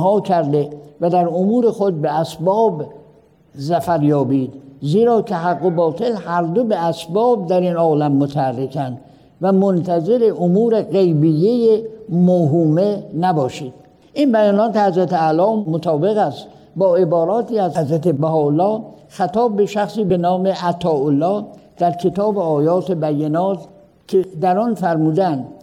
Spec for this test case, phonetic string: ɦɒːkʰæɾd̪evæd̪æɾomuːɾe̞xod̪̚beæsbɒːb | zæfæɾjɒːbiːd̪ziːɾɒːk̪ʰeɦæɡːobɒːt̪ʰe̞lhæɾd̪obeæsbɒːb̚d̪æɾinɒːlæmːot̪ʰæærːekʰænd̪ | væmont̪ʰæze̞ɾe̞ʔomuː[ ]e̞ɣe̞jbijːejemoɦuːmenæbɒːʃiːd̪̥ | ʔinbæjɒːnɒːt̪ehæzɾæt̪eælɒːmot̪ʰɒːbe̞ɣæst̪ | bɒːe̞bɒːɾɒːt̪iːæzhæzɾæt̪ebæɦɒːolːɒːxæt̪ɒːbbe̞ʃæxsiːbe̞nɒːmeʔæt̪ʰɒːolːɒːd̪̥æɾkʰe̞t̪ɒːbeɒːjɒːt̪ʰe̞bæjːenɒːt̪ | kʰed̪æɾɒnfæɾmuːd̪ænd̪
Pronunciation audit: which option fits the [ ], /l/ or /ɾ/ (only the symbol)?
ɾ